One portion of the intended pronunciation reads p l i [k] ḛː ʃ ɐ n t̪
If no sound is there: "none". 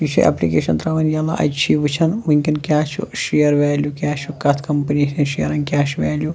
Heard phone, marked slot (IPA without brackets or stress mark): k